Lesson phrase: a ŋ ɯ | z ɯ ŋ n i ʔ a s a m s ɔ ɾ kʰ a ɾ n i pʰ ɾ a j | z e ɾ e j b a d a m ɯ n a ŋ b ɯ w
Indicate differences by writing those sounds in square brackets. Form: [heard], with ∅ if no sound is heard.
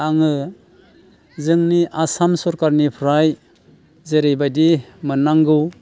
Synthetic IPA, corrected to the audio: a ŋ ɯ | z ɯ ŋ n i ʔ a s a m s ɔ ɾ [k] a ɾ n i pʰ ɾ a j | z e ɾ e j b a d [i] m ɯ n a ŋ [ɡ] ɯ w

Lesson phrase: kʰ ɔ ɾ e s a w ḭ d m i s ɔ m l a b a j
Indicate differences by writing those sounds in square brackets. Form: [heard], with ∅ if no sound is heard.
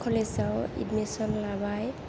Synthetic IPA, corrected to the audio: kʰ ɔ [l] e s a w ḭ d m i s ɔ [n] l a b a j

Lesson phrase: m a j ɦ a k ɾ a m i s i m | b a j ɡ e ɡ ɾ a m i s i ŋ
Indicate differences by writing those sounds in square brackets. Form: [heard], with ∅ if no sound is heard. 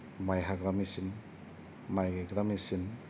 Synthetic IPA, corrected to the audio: m a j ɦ a [ɡ] ɾ a m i s i [n] | [m] a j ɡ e ɡ ɾ a m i s i [n]

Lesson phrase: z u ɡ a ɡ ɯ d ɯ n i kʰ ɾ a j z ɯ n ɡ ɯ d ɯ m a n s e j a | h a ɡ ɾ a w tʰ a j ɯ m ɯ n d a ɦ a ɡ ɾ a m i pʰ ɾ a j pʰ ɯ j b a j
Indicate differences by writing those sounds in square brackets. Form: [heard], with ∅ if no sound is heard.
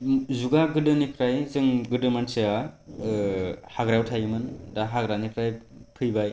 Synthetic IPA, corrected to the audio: z u ɡ a ɡ ɯ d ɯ n i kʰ ɾ a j z ɯ [ŋ] ɡ ɯ d ɯ m a n s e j a | h a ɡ ɾ a w tʰ a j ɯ m ɯ n d a ɦ a ɡ ɾ a [n] i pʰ ɾ a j pʰ ɯ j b a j

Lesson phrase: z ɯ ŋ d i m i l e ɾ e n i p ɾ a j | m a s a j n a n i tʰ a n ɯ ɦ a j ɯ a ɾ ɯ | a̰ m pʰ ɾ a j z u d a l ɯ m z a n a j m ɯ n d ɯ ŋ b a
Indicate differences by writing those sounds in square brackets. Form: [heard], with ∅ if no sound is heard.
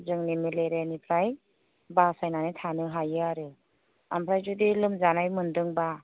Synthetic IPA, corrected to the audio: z ɯ ŋ [n] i m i l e ɾ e n i [pʰ] ɾ a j | [b] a s a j n a n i tʰ a n ɯ ɦ a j ɯ a ɾ ɯ | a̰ m pʰ ɾ a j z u d [i] l ɯ m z a n a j m ɯ n d ɯ ŋ b a

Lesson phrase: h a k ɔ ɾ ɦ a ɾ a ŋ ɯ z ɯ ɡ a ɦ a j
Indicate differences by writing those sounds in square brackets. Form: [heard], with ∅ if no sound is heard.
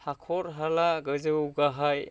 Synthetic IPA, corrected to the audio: h a [kʰ] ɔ ɾ ɦ a [l] a [ɡ] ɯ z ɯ ɡ a ɦ a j

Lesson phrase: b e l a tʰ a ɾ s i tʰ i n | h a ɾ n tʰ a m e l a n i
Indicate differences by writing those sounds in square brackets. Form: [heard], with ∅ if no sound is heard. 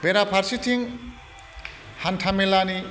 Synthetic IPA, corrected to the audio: b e [ɾ] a [pʰ] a ɾ s i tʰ i [ŋ] | h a [∅] n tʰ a m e l a n i

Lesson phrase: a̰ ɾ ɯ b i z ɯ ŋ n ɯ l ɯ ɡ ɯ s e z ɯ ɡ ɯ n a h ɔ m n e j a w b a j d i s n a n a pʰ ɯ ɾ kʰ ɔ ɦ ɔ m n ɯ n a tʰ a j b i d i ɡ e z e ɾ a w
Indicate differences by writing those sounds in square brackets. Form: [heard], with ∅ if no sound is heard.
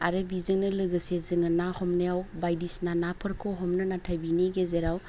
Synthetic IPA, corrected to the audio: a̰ ɾ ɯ b i z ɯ ŋ n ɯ l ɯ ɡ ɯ s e z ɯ [ŋ] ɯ n a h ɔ m n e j a w b a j d i s n a n a pʰ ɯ ɾ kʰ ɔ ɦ ɔ m n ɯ n a tʰ a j b i [n] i ɡ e z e ɾ a w

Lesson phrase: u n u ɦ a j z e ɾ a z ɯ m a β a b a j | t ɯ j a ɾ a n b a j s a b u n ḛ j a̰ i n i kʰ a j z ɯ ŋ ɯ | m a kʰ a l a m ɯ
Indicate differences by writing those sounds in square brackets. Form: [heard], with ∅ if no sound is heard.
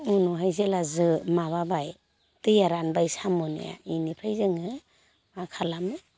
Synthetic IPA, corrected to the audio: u n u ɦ a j z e [l] a z ɯ m a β a b a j | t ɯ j a ɾ a n b a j s a [m] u n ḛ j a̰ i n i [pʰ] a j z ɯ ŋ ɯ | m a kʰ a l a m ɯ

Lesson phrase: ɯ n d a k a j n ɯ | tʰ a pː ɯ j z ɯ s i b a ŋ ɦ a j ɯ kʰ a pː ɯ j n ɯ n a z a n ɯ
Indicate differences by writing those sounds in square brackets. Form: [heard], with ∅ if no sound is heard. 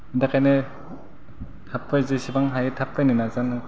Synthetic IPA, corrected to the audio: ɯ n d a k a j n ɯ | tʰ a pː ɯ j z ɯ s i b a ŋ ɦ a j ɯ [tʰ] a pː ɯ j n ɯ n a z a n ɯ

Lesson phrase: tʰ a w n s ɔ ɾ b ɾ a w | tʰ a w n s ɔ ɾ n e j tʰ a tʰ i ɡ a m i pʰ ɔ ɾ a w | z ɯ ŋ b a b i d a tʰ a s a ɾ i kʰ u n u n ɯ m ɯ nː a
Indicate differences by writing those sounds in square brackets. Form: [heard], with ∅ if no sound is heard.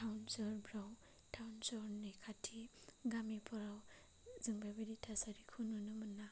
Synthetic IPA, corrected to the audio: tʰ a w n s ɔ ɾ b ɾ a w | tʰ a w n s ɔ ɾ n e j [kʰ] a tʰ i ɡ a m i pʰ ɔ ɾ a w | z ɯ ŋ b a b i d [i] tʰ a s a ɾ i kʰ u n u n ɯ m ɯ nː a

